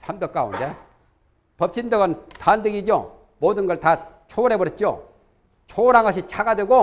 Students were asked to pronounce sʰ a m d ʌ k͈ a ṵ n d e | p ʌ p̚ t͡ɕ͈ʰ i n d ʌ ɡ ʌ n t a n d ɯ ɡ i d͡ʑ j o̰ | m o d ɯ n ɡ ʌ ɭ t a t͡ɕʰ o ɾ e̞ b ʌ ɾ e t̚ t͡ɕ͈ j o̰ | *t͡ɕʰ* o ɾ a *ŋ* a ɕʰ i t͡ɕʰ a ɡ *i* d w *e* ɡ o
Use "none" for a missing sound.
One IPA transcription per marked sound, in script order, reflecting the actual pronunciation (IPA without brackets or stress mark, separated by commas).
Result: t͡ɕʰ, ŋ, a, e